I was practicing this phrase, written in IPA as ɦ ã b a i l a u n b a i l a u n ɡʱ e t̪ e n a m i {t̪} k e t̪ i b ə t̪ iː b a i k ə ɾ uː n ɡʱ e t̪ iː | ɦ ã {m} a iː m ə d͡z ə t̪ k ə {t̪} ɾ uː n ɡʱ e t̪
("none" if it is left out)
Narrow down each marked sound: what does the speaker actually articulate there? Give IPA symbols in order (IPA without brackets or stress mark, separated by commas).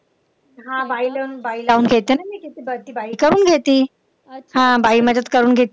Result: none, b, none